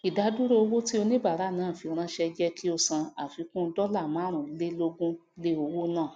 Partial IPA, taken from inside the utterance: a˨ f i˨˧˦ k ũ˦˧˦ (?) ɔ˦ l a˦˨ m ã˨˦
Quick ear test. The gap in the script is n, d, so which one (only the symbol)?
d